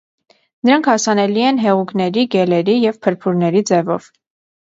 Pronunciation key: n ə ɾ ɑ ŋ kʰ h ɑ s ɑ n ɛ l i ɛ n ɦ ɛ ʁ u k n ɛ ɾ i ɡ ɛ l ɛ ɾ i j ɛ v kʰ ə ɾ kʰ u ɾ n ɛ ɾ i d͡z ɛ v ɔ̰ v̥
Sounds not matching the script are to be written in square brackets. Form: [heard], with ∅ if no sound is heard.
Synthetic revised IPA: n ə ɾ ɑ ŋ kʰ h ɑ s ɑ n ɛ l i ɛ n ɦ ɛ ʁ u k n ɛ ɾ i ɡ ɛ l ɛ ɾ i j ɛ v [pʰ] ə ɾ [pʰ] u ɾ n ɛ ɾ i d͡z ɛ v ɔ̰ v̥